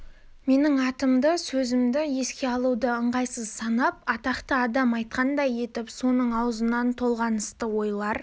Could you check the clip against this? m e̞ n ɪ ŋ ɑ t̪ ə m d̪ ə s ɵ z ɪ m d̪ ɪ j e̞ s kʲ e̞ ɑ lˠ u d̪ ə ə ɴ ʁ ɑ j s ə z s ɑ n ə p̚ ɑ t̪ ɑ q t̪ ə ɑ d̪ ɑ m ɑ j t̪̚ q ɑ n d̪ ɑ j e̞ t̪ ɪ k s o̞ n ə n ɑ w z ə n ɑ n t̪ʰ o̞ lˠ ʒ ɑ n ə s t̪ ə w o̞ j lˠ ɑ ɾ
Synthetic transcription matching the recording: m e̞ n ɪ ŋ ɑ t̪ ə m d̪ ə s ɵ z ɪ m d̪ ɪ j e̞ s kʲ e̞ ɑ lˠ u d̪ ə ə ɴ ʁ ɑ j s ə z s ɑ n ɑ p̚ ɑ t̪ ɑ q t̪ ə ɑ d̪ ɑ m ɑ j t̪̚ q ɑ n d̪ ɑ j e̞ t̪ ɪ p s o̞ n ə ɴ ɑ w z ə n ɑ n t̪ʰ o̞ lˠ ʁ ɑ n ə s t̪ ə w o̞ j lˠ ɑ ɾ